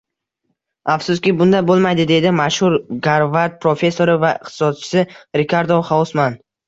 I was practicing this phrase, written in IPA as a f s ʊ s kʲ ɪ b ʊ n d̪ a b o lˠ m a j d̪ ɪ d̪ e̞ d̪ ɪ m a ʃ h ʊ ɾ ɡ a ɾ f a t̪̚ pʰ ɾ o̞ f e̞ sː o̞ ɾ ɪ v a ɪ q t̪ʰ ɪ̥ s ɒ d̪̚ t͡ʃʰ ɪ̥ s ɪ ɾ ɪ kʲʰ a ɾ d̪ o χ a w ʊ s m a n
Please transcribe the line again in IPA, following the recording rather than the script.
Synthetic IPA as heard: a f s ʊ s kʲ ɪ b ʊ n d̪ a b o lˠ m a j d̪ ɪ d̪ e̞ d̪ ɪ m a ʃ h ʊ ɾ ɡ a ɾ v a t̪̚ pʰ ɾ o̞ f e̞ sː o̞ ɾ ɪ v a ɪ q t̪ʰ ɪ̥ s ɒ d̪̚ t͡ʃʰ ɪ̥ s ɪ ɾ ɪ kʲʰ a ɾ d̪ o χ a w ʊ s m a n